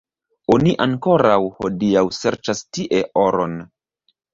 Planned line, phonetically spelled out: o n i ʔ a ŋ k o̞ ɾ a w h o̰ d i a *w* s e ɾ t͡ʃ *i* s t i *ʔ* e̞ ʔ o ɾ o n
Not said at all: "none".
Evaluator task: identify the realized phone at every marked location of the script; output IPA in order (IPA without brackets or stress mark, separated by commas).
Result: w, a, ʔ